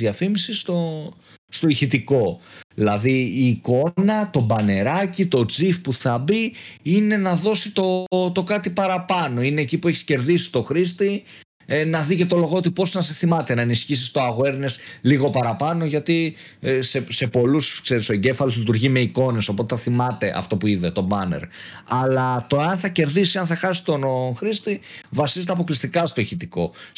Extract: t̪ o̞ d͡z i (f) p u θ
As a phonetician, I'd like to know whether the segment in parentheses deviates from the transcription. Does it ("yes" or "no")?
no